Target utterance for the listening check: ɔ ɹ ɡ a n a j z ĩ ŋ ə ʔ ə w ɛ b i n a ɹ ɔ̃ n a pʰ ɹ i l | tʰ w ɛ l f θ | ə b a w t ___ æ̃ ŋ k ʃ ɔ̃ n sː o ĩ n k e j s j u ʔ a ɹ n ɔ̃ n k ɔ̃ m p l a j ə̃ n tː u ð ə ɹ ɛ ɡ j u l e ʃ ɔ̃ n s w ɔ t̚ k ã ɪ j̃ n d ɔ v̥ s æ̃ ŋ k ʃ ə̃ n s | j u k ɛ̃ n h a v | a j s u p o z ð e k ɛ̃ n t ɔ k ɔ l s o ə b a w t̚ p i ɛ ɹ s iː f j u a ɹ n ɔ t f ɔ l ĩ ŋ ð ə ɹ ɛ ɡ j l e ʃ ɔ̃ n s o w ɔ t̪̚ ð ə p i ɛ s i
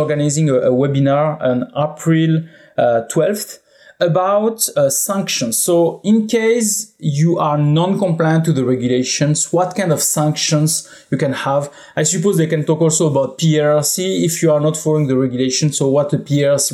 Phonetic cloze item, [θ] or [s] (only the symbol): s